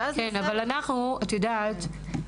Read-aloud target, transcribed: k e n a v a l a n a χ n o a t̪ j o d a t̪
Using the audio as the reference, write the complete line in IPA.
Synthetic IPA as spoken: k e n a v a l a n a χ n u a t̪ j o d a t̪